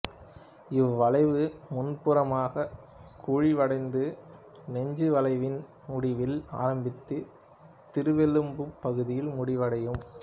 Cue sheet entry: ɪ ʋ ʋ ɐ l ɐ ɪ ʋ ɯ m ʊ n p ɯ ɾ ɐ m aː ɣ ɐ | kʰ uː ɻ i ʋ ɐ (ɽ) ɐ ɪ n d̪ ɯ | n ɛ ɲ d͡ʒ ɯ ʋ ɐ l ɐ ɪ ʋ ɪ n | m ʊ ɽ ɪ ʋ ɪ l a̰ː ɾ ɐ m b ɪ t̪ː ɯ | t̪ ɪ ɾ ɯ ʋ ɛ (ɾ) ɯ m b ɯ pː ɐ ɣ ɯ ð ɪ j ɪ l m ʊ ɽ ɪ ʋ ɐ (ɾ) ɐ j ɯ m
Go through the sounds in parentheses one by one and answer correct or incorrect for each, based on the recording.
correct, incorrect, incorrect

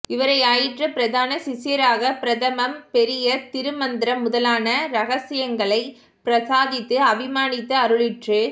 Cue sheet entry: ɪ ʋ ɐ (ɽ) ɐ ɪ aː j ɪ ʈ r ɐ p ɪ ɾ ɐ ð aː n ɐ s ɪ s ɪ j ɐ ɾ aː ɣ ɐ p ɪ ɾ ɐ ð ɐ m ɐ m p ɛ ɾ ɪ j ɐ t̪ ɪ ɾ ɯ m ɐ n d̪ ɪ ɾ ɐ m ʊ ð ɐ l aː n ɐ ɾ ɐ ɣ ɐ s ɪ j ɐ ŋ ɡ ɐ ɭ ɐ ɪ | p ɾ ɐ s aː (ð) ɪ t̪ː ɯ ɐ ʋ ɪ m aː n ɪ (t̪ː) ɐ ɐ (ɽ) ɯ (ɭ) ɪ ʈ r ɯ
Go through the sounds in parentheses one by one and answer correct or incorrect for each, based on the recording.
incorrect, correct, correct, incorrect, correct

